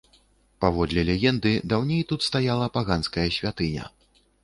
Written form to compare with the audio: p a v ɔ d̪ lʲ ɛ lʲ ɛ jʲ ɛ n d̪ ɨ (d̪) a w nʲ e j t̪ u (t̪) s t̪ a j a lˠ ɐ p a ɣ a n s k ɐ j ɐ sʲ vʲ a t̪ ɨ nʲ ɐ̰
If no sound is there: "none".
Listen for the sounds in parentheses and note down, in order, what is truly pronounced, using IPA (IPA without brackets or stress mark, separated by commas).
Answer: d̪, t̪